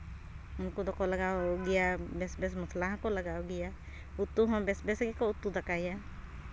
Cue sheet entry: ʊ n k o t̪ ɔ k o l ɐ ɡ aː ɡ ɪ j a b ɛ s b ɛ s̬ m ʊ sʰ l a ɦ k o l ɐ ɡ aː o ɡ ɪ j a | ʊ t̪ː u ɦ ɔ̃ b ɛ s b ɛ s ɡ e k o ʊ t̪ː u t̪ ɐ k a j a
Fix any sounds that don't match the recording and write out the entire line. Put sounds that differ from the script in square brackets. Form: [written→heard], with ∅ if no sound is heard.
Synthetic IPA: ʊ n k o [t̪→d̪] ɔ k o l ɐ ɡ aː ɡ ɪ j a b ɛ s b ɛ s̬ m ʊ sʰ l a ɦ k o l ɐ ɡ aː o ɡ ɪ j a | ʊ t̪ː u ɦ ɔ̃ b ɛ s b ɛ s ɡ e k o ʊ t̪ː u [t̪→d̪] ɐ k a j a